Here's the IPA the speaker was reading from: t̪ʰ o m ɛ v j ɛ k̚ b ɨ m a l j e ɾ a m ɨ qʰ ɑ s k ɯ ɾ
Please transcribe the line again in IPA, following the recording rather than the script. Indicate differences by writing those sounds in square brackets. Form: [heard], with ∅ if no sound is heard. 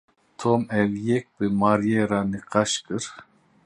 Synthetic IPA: t̪ʰ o m ɛ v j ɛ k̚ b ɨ m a [ɾ] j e ɾ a [n] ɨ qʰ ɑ [ʃ] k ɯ ɾ